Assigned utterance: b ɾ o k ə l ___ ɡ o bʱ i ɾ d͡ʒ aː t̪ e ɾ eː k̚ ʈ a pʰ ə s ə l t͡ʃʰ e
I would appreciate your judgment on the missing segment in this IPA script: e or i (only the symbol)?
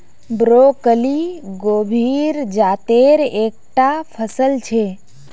i